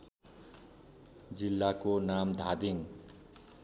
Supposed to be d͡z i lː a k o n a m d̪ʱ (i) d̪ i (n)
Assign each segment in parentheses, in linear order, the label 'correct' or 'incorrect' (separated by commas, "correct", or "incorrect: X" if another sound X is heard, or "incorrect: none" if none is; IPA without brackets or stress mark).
incorrect: a, incorrect: ŋ